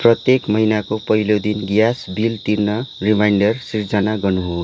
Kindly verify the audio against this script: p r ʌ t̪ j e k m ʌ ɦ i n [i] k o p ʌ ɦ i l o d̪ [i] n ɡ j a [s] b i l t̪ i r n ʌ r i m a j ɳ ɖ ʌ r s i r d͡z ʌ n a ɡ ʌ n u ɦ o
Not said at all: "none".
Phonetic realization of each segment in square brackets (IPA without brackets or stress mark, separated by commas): a, i, s